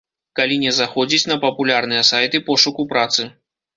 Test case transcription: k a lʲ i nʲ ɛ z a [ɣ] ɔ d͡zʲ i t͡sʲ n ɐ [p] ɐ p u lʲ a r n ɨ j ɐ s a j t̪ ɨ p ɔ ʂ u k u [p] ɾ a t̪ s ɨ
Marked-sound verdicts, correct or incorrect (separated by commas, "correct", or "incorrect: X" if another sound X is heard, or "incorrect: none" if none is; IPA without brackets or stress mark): incorrect: x, correct, correct